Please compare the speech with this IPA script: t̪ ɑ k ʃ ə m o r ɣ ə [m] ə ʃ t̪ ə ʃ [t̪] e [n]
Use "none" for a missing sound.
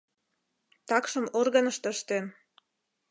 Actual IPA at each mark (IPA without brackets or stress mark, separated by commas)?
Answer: n, t̪, n